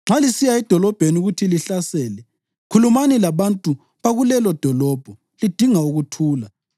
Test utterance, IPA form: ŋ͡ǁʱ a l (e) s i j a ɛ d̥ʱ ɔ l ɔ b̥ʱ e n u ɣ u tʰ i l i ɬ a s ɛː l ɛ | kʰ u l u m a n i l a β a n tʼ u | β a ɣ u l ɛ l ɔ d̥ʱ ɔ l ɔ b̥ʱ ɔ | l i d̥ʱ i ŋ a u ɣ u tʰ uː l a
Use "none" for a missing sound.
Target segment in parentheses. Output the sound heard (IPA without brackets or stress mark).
i